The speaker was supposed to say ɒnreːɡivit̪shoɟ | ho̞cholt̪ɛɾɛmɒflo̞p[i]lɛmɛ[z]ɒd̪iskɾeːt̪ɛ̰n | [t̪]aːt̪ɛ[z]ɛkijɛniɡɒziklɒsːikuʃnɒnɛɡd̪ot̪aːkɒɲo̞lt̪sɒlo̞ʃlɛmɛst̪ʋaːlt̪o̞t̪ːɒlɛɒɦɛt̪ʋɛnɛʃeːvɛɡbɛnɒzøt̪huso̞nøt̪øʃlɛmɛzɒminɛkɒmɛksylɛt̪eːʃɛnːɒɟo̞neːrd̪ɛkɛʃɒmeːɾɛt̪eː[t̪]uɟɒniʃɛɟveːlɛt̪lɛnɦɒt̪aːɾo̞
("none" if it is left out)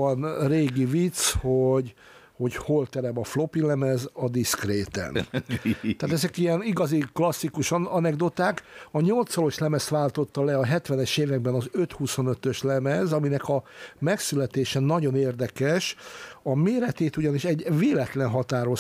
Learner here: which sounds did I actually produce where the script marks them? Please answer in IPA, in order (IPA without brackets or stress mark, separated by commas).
i, z, t̪, z, t̪